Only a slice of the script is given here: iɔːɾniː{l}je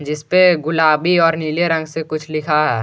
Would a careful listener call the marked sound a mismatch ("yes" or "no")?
no